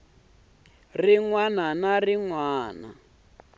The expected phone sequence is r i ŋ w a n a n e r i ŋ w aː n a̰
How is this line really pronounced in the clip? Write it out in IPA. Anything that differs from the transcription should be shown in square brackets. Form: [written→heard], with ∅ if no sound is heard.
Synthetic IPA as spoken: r i ŋ w a n a n [e→a] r i ŋ w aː n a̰